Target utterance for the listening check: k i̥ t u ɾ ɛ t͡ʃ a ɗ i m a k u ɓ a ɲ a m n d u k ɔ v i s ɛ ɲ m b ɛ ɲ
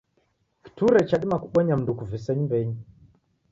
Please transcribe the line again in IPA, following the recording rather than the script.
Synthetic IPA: k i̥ t u ɾ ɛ t͡ʃ a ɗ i m a k u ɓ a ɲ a m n d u k u v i s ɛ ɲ m b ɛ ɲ